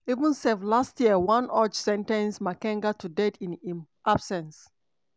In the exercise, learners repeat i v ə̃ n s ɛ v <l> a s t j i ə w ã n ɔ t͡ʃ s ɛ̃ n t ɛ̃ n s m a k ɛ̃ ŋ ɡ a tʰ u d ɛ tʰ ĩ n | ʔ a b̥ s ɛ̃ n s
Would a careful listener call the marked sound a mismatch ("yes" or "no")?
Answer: no